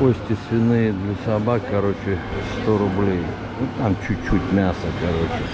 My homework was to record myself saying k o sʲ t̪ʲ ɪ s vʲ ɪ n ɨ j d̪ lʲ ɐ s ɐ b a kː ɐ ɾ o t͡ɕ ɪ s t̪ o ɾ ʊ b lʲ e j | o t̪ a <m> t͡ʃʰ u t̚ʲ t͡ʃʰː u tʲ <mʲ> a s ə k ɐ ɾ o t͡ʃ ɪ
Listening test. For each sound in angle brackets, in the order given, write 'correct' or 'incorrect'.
correct, correct

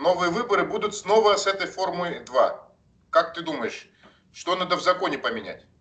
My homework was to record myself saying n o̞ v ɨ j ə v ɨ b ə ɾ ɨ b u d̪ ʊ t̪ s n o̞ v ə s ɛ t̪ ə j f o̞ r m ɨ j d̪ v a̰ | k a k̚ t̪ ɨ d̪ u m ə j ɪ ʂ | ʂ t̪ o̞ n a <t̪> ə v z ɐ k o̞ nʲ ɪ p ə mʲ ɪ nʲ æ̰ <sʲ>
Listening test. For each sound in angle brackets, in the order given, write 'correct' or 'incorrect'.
incorrect, incorrect

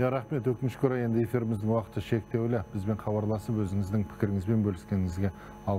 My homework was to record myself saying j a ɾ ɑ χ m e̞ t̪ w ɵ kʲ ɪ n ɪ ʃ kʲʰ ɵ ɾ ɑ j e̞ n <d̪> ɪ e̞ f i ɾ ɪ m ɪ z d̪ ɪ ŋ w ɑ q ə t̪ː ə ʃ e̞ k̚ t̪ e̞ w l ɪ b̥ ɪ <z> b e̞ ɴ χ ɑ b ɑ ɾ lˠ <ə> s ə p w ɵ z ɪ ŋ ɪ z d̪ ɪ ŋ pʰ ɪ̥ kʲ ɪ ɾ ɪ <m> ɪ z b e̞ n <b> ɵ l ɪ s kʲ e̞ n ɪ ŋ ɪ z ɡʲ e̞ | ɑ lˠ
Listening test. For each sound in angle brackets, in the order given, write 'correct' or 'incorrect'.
correct, correct, incorrect, incorrect, correct

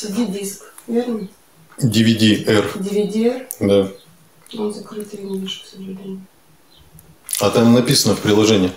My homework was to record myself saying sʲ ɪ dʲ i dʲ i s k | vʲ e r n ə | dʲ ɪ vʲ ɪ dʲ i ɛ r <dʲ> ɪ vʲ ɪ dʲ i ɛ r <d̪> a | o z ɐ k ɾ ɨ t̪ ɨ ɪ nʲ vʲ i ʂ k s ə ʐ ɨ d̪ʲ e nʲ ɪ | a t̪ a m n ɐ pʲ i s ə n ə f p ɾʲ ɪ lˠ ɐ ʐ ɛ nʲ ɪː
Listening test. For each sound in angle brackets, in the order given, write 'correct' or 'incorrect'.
correct, correct

